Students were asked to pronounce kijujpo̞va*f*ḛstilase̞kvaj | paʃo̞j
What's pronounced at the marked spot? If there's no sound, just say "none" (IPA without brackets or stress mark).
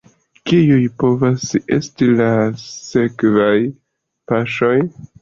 s